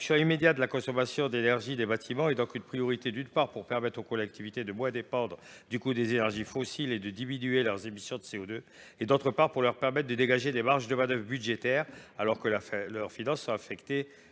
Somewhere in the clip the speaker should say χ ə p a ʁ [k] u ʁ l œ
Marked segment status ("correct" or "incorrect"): incorrect